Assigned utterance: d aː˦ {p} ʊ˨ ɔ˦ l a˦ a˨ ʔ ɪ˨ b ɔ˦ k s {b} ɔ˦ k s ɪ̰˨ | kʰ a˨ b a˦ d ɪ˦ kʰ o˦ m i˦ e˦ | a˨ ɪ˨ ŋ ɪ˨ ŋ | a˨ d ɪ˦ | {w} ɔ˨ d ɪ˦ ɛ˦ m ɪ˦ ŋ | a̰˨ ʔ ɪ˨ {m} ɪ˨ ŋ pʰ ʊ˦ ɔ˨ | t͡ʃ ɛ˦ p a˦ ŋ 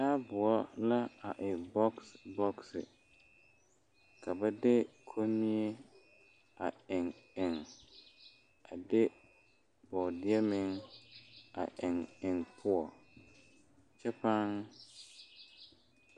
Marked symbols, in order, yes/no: no, yes, no, no

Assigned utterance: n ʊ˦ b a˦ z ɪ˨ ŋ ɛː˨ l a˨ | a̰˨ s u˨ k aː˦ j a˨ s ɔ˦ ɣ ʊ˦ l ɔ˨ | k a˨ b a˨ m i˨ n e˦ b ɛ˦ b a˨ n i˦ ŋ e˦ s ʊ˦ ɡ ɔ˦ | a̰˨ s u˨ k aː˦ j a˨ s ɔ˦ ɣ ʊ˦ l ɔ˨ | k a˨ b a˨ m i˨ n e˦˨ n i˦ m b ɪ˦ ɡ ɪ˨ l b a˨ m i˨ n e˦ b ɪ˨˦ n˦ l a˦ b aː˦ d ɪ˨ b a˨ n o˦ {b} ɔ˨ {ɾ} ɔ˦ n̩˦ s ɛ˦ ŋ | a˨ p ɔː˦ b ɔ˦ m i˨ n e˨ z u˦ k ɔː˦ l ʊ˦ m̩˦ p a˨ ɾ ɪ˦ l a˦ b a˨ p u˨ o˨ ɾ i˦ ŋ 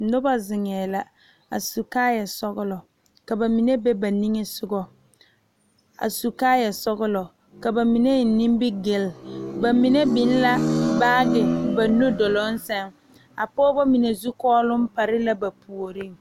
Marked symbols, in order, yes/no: no, no

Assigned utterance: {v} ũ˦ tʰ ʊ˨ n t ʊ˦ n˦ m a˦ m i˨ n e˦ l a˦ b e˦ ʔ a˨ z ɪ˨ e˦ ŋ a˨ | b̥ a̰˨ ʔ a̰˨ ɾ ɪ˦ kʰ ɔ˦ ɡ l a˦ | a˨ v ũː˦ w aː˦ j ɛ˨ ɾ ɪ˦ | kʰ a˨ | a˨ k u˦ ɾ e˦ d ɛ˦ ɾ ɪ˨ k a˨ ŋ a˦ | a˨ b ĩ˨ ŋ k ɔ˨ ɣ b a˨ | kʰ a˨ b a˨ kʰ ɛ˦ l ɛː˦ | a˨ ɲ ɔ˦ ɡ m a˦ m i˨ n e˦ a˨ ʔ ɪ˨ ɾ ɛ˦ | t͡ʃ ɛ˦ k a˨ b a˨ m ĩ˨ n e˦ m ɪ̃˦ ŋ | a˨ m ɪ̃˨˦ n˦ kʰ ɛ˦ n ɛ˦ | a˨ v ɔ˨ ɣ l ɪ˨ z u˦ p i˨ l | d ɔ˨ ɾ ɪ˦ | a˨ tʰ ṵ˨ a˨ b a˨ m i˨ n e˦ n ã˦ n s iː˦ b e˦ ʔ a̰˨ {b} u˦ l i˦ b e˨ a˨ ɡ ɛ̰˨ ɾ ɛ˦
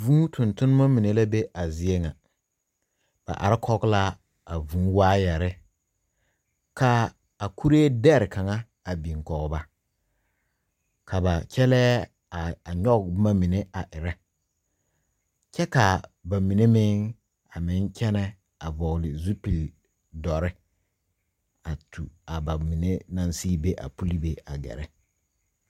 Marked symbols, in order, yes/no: yes, no

